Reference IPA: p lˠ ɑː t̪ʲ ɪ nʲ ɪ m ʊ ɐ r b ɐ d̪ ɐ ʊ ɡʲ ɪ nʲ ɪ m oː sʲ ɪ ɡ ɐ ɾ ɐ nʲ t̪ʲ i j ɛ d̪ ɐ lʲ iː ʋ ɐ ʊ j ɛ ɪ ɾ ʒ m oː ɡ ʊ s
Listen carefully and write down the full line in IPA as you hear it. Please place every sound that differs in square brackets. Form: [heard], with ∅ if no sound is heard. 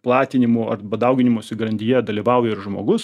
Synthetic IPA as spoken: p lˠ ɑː t̪ʲ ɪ nʲ ɪ m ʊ ɐ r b ɐ d̪ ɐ ʊ ɡʲ ɪ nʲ ɪ m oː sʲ ɪ ɡ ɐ ɾ ɐ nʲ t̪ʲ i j ɛ d̪ ɐ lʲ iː ʋ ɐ ʊ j ɛ ɪ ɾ ʒ m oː ɡ ʊ s